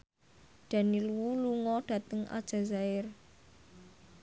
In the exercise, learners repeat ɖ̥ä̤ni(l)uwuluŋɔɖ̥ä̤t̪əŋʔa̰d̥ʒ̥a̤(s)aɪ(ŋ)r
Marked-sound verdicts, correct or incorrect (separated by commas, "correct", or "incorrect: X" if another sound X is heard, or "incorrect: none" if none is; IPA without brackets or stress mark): correct, incorrect: z, incorrect: none